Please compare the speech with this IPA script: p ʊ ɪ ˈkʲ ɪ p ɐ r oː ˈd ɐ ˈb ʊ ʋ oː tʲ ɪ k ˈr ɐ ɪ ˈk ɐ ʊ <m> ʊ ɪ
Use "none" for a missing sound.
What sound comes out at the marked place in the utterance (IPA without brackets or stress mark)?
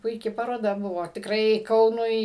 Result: n